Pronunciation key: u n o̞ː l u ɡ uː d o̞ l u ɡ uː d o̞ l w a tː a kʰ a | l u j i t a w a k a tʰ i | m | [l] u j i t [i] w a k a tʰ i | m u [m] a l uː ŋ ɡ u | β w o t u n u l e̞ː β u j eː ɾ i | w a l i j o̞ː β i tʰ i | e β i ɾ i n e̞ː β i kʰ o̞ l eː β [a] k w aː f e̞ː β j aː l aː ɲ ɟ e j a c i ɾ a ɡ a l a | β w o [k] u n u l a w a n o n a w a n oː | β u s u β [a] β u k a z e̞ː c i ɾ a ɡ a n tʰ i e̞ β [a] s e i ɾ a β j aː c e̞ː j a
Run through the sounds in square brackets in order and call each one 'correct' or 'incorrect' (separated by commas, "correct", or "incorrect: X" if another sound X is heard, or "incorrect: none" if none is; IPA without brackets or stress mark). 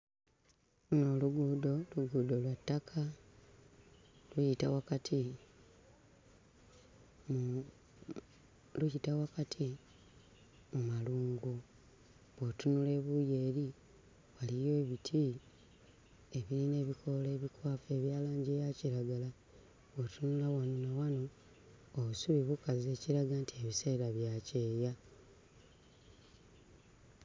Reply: correct, incorrect: a, correct, incorrect: i, incorrect: t, incorrect: i, incorrect: i